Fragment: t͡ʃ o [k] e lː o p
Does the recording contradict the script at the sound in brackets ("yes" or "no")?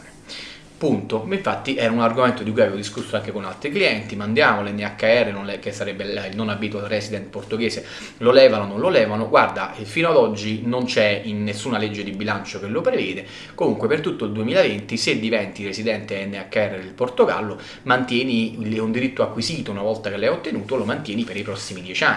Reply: no